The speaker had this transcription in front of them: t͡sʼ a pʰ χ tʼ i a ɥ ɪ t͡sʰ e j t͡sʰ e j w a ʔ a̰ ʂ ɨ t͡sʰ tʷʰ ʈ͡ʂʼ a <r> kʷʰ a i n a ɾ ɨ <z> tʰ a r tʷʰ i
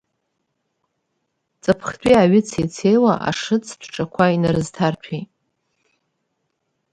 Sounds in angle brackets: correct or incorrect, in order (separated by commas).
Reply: incorrect, correct